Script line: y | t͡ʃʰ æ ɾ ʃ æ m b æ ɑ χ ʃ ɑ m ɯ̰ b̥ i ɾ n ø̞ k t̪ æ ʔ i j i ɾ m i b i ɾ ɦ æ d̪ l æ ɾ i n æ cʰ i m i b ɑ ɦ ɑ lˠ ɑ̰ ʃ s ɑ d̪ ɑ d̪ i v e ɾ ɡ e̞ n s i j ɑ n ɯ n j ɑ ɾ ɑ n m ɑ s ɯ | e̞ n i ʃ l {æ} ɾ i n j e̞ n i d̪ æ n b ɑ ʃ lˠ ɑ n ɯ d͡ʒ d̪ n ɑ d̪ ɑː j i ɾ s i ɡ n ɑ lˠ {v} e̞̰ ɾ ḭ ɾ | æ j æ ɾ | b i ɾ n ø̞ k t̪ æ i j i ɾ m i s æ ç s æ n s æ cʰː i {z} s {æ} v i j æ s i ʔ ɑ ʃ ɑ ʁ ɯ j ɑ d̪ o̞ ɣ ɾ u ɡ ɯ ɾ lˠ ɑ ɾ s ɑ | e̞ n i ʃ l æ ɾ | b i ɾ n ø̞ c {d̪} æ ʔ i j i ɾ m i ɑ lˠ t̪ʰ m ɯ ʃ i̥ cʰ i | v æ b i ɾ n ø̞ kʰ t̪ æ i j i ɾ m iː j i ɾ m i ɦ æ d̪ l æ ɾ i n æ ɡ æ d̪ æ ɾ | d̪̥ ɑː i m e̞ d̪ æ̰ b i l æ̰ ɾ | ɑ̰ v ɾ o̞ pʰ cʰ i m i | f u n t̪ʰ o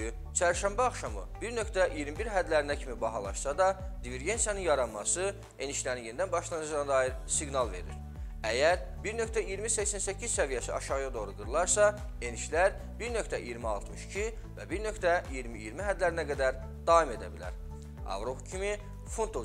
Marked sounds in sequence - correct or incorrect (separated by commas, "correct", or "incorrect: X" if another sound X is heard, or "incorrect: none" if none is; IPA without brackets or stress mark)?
correct, correct, correct, correct, incorrect: t̪